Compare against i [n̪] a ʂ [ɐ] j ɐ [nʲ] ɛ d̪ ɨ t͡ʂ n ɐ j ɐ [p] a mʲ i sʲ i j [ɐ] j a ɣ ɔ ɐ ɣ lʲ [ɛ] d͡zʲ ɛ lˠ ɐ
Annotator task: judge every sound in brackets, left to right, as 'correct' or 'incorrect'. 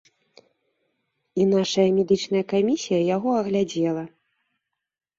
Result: correct, correct, incorrect: mʲ, incorrect: k, correct, incorrect: a

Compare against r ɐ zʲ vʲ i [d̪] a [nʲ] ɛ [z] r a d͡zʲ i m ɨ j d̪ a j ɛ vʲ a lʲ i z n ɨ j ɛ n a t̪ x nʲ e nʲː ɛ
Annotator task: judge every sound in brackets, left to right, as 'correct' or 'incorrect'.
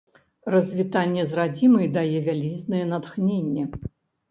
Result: incorrect: t̪, incorrect: nʲː, correct

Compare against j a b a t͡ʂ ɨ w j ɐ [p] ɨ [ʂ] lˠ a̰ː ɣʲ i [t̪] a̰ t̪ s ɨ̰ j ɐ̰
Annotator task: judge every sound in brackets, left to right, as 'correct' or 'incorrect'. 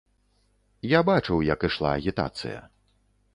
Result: incorrect: k, correct, correct

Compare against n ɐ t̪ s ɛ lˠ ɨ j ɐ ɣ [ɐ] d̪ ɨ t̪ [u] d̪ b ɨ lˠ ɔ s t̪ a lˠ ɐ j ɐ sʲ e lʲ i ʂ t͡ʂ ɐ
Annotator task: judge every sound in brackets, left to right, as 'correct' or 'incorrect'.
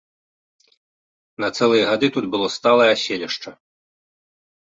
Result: incorrect: a, correct

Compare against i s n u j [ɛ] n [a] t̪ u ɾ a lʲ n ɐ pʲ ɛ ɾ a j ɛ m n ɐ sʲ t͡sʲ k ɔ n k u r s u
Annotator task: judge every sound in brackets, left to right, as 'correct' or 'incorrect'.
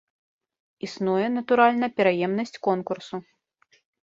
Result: correct, incorrect: ɐ

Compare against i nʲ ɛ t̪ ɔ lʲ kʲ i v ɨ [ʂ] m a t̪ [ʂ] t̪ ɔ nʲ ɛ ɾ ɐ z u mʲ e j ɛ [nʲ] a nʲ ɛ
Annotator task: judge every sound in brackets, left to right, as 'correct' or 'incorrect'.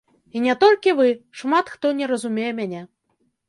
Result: correct, incorrect: x, incorrect: mʲ

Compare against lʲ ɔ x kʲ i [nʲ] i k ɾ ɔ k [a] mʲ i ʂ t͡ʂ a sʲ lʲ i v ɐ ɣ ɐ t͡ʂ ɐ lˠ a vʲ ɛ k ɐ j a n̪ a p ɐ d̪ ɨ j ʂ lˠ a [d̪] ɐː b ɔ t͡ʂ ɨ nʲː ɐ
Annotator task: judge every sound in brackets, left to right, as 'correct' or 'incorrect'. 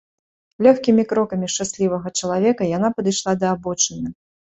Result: incorrect: mʲ, incorrect: ɐ, correct

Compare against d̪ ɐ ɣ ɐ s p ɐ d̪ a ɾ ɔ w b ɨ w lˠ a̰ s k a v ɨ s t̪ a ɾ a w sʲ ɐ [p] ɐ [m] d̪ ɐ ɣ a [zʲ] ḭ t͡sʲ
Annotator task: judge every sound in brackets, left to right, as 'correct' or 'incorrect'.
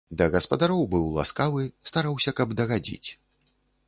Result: incorrect: k, incorrect: b, incorrect: d͡zʲ

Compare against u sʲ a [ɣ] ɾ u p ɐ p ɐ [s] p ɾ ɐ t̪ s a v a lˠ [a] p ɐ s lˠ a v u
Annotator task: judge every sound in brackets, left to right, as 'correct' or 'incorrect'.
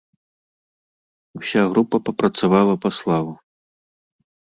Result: correct, incorrect: none, incorrect: ɐ

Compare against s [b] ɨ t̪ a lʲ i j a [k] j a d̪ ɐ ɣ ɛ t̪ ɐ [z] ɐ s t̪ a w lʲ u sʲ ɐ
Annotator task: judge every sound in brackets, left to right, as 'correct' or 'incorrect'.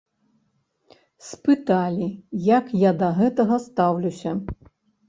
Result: incorrect: p, correct, incorrect: ɣ

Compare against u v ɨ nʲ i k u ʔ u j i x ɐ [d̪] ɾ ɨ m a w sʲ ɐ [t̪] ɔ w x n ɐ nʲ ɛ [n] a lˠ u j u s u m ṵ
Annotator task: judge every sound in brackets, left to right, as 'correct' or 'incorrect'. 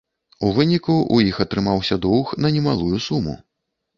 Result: incorrect: t̪, incorrect: d̪, incorrect: m

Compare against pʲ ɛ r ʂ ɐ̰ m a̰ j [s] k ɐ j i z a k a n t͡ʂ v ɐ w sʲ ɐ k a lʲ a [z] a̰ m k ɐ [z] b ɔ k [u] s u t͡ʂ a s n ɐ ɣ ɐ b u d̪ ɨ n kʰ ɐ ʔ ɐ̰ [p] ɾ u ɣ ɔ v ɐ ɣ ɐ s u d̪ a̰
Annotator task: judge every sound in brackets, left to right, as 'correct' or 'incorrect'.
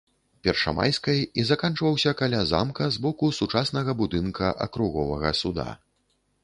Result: correct, correct, correct, correct, incorrect: k

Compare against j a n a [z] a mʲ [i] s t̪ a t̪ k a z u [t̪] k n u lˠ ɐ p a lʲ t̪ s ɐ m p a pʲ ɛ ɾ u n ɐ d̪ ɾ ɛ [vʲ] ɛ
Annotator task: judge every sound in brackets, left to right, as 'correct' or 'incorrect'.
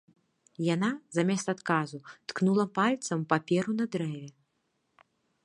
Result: correct, incorrect: ɛ, correct, correct

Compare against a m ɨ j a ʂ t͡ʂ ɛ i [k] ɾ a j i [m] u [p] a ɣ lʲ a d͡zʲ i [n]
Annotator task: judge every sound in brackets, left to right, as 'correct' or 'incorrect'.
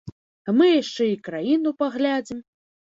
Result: correct, incorrect: n, correct, incorrect: m

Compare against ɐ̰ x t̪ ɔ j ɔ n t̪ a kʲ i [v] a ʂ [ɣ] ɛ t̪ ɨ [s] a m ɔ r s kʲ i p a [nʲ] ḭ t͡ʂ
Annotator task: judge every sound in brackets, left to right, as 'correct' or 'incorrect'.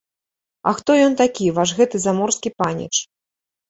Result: correct, correct, incorrect: z, correct

